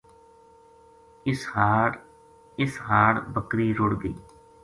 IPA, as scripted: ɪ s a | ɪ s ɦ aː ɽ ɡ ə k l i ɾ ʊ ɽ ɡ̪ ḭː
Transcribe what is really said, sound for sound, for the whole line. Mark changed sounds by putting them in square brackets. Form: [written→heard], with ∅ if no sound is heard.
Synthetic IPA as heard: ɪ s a | ɪ s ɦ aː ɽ [ɡ→b] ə k [l→ɾ] i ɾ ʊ ɽ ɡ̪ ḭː